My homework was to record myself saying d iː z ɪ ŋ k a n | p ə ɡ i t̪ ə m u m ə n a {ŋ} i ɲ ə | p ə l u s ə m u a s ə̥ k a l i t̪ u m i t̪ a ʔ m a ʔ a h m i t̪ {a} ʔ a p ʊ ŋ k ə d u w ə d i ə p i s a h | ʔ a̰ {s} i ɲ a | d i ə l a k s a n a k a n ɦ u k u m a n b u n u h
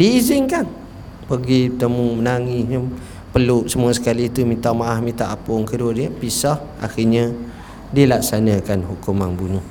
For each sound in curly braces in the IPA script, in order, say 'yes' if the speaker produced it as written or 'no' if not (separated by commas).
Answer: yes, yes, no